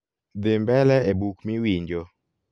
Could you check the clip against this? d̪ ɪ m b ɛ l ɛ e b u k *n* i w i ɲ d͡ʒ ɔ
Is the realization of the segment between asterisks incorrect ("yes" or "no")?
yes